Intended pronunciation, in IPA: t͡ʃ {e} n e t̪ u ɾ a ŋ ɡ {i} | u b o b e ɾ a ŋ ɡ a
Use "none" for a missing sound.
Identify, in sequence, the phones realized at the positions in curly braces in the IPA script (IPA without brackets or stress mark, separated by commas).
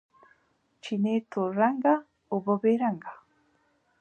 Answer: i, a